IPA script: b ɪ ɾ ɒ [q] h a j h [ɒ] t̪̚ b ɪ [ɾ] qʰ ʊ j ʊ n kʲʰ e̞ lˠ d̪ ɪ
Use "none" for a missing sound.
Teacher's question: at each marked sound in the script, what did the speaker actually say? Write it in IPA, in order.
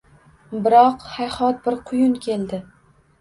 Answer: q, ɒ, ɾ

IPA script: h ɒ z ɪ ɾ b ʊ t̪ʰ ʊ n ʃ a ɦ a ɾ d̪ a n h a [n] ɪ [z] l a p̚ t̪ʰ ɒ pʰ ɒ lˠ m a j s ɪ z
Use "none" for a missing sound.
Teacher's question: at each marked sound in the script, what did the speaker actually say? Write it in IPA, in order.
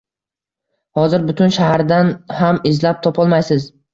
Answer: m, z

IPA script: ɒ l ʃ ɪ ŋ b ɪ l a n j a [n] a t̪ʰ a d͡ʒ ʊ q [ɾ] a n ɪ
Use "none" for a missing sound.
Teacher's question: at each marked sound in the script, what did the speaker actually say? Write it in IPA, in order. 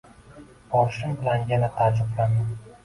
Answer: n, l

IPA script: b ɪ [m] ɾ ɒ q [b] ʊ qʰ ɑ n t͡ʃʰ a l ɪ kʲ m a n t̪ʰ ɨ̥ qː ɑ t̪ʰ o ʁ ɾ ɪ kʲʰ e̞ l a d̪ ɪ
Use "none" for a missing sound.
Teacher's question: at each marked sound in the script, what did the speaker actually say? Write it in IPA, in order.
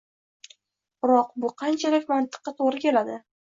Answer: none, b

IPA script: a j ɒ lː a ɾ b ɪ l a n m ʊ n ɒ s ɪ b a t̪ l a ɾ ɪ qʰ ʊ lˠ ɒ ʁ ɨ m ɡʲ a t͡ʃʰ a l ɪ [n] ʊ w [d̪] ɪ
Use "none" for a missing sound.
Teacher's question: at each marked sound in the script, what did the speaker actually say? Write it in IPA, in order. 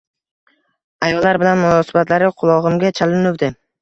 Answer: n, d̪

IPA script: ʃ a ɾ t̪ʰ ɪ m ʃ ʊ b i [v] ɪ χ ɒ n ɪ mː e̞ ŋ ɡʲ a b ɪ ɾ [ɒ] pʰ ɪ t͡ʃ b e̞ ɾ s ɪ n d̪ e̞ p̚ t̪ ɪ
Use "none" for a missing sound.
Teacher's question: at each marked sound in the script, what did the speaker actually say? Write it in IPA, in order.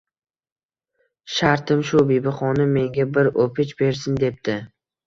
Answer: b, o

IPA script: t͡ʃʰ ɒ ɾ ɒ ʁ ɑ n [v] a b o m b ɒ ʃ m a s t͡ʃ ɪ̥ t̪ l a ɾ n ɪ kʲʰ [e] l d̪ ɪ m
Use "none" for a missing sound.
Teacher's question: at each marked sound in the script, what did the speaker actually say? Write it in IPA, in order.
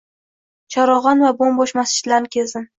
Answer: v, e

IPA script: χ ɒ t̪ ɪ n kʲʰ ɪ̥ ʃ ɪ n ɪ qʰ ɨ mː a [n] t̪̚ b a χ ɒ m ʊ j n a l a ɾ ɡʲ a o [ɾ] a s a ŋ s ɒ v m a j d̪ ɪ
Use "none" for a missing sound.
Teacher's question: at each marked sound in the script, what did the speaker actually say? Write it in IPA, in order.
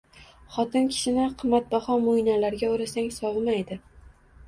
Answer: none, ɾ

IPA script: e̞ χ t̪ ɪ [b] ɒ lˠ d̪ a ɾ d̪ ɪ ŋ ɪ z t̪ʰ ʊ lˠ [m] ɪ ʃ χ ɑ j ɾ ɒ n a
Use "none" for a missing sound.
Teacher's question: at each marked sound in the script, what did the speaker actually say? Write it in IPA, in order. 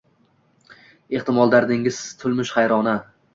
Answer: m, m

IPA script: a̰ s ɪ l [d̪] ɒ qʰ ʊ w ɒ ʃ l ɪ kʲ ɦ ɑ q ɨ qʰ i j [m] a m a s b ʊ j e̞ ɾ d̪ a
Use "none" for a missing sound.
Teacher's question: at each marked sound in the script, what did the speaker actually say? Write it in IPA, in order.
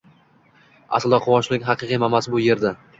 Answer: d̪, m

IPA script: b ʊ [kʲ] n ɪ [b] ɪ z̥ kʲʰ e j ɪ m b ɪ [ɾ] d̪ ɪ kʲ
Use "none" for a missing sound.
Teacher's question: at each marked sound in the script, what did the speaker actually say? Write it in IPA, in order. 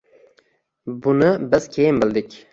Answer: none, b, l

